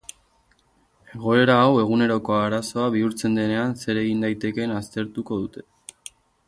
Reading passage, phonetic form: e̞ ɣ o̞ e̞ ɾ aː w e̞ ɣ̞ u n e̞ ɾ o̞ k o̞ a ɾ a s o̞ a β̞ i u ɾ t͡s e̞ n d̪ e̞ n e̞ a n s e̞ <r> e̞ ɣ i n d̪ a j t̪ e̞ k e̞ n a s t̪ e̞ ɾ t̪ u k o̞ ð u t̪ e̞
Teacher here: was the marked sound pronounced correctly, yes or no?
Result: no